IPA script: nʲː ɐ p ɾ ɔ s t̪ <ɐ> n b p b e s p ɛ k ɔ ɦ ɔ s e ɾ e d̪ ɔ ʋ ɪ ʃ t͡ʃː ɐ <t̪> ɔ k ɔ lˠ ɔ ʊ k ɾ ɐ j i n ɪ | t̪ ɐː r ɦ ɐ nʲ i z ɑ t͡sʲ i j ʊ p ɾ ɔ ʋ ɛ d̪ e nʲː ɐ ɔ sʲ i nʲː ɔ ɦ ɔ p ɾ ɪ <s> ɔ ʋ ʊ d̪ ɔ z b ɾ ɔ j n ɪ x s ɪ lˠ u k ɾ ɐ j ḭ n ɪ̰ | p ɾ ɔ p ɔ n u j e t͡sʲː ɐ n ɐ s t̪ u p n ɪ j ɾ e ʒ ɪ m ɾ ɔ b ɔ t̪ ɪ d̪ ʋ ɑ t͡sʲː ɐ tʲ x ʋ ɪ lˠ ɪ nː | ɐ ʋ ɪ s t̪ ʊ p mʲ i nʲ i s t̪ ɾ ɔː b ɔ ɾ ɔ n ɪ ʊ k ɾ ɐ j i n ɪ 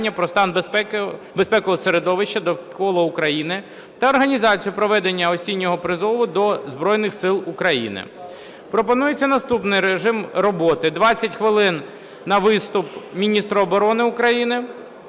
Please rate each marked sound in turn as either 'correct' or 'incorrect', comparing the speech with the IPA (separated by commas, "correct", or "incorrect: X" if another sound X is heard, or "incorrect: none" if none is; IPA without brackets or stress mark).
incorrect: ɑ, incorrect: d̪, incorrect: z